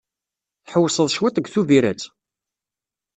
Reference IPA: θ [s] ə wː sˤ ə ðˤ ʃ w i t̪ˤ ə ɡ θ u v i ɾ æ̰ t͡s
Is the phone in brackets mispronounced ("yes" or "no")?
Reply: yes